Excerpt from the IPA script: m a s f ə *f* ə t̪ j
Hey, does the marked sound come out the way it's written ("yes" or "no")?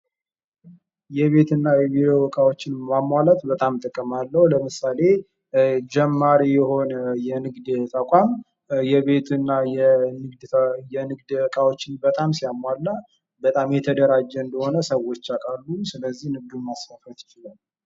yes